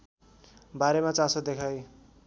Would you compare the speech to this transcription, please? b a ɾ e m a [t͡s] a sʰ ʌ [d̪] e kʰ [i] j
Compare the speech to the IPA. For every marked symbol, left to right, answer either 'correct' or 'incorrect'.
correct, correct, incorrect

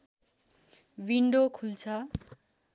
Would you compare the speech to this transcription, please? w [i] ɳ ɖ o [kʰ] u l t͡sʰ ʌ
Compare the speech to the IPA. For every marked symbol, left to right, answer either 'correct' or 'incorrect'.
correct, correct

